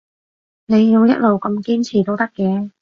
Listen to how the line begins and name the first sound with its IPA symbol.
n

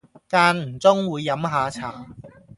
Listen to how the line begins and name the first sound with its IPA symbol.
k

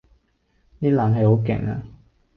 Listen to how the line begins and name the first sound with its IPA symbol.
n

